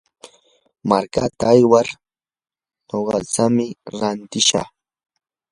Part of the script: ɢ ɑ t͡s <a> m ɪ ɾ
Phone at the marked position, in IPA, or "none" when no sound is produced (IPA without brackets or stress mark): a